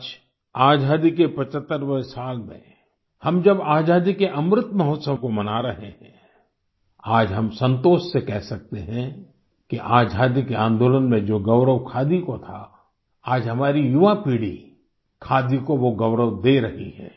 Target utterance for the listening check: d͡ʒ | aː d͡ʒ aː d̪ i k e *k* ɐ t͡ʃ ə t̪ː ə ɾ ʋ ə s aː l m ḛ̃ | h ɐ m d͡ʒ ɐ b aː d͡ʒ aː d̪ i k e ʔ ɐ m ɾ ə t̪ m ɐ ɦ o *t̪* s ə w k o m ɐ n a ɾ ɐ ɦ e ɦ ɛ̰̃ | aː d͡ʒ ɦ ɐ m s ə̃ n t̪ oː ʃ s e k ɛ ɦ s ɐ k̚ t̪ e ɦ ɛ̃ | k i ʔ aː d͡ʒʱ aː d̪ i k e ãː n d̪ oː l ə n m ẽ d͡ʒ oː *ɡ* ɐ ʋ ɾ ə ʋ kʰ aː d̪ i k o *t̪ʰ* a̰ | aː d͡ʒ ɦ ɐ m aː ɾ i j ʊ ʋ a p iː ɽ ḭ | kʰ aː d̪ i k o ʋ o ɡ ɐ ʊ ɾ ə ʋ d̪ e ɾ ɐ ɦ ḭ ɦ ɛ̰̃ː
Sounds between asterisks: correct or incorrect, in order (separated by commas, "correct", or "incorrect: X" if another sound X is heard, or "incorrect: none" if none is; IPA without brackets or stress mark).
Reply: incorrect: p, correct, correct, correct